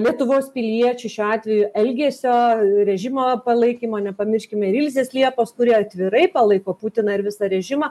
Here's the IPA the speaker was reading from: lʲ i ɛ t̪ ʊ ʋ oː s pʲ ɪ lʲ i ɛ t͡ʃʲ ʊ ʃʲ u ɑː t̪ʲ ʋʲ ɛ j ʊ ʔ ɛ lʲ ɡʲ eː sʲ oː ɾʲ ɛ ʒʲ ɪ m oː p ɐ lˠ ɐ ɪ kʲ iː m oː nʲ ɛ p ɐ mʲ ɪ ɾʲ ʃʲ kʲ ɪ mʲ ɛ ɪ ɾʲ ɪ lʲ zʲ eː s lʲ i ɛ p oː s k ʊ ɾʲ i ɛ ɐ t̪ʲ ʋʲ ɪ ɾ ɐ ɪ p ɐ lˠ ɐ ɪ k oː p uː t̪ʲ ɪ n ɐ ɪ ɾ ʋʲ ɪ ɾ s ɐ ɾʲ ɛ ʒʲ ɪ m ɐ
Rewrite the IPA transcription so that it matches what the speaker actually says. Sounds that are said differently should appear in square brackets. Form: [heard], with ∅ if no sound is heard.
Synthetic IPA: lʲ i ɛ t̪ ʊ ʋ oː s pʲ ɪ lʲ i ɛ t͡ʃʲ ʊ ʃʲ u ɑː t̪ʲ ʋʲ ɛ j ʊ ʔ ɛ lʲ ɡʲ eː sʲ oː ɾʲ ɛ ʒʲ ɪ m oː p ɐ lˠ ɐ ɪ kʲ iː m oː nʲ ɛ p ɐ mʲ ɪ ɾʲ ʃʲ kʲ ɪ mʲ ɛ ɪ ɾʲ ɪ lʲ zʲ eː s lʲ i ɛ p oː s k ʊ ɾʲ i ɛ ɐ t̪ʲ ʋʲ ɪ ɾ ɐ ɪ p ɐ lˠ ɐ ɪ k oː p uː t̪ʲ ɪ n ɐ ɪ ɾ ʋʲ ɪ [∅] s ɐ ɾʲ ɛ ʒʲ ɪ m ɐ